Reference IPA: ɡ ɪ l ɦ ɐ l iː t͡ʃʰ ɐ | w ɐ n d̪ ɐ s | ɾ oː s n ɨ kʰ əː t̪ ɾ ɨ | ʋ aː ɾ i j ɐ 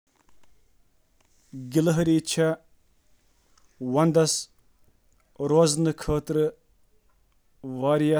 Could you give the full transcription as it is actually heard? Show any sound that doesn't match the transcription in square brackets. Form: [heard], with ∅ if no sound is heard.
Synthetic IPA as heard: ɡ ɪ l ɦ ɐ [ɾ] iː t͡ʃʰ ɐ | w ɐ n d̪ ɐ s | ɾ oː [z] n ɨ kʰ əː t̪ ɾ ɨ | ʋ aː ɾ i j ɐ